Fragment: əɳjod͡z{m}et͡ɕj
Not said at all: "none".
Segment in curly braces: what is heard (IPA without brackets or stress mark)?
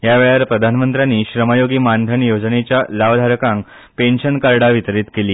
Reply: n